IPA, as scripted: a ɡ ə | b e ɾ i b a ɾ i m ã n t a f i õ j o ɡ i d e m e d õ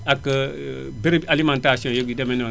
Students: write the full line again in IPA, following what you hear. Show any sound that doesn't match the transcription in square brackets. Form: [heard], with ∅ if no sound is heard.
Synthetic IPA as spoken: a [k] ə | b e ɾ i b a [l] i m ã n t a [s] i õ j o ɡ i d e m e [n] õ